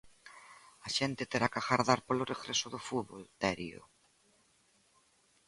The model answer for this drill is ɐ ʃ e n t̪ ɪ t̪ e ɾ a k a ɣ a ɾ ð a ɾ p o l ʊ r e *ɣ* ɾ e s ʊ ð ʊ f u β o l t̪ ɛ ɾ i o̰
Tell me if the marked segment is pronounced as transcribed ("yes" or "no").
yes